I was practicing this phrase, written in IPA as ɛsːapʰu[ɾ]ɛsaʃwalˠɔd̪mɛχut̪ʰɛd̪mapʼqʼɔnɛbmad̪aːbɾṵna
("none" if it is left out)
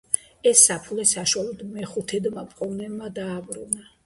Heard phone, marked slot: l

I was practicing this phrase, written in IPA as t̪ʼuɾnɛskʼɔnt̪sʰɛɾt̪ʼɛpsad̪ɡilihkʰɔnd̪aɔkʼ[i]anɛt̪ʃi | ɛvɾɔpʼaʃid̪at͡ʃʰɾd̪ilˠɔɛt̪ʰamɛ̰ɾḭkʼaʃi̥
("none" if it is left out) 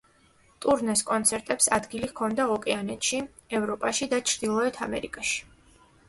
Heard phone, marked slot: ɛ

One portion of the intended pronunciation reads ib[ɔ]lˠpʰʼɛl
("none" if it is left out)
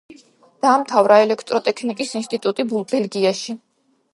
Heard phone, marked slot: u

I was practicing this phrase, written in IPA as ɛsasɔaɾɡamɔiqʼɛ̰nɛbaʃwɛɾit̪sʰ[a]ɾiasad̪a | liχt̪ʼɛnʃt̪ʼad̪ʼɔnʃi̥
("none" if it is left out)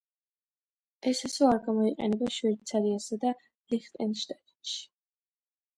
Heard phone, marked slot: a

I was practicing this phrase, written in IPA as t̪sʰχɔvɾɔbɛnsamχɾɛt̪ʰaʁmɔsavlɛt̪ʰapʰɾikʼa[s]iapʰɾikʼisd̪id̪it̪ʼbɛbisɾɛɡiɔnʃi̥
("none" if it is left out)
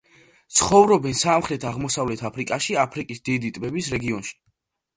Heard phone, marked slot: ʃ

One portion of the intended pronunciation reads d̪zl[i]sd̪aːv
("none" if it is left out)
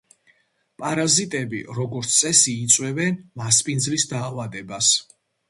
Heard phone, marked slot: i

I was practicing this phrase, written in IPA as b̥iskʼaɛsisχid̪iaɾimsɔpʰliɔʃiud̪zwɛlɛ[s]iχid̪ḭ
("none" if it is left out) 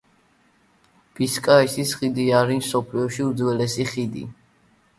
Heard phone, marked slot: s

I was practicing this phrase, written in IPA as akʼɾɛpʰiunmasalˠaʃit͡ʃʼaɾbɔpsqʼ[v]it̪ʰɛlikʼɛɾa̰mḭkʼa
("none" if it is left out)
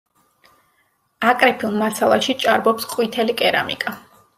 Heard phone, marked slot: w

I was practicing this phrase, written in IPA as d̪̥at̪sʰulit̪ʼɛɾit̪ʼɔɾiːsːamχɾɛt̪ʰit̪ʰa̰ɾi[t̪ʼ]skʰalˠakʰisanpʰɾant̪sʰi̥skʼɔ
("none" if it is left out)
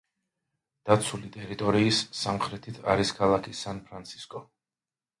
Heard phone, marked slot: none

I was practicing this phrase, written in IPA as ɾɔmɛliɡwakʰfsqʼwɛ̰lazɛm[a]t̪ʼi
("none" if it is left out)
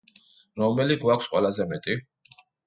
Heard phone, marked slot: ɛ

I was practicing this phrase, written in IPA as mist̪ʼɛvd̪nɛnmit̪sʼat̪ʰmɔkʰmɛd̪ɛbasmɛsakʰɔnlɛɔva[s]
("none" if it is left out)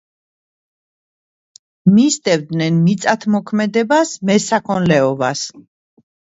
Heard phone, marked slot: s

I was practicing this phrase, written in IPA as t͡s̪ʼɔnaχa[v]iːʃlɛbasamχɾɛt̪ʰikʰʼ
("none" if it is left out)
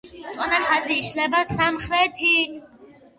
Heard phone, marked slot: z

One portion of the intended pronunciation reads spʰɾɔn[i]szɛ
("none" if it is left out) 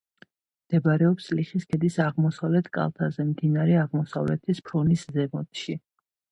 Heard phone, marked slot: i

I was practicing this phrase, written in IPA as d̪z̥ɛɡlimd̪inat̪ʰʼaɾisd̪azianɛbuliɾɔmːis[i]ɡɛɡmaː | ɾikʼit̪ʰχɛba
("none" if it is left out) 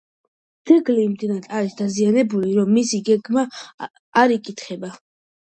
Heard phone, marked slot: i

